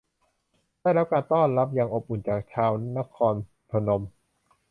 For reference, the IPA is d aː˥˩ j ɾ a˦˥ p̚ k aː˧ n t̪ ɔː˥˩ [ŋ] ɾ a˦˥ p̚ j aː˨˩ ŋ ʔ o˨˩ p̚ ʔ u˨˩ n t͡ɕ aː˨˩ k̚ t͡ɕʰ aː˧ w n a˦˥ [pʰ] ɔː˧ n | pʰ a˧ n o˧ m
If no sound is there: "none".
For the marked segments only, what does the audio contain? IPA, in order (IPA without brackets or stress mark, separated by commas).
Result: n, kʰ